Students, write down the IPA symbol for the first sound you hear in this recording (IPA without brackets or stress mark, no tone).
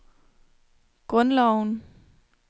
ɡ̥